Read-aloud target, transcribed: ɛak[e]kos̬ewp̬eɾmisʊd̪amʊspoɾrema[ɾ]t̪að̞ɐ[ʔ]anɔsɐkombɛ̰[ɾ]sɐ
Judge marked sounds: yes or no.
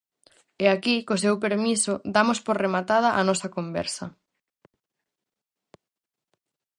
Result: no, no, yes, yes

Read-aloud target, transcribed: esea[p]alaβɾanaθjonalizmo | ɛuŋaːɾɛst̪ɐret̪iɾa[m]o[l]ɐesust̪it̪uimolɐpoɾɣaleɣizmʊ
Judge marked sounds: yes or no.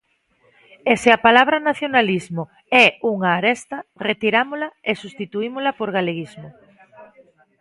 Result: yes, yes, yes

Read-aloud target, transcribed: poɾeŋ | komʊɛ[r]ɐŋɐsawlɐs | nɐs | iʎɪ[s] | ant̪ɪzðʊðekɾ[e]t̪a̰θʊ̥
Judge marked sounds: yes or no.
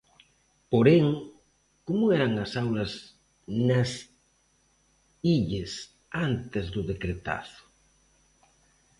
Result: no, yes, yes

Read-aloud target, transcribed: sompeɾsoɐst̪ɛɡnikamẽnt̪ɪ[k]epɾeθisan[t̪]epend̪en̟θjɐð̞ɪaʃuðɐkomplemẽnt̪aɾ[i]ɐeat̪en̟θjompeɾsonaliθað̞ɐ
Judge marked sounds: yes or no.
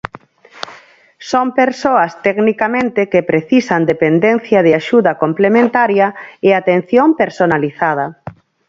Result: yes, no, no

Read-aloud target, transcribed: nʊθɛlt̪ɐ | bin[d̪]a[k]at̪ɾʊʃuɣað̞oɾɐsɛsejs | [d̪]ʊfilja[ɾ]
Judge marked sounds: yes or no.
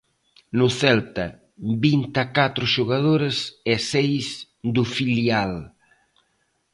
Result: no, yes, yes, no

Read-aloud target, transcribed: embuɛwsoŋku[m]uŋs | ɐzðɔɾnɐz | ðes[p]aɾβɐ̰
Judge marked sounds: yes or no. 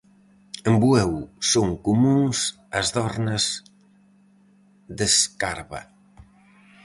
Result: yes, no

